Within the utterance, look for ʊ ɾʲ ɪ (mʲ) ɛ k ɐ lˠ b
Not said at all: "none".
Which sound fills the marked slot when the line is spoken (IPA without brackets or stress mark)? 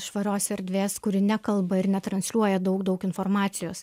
nʲ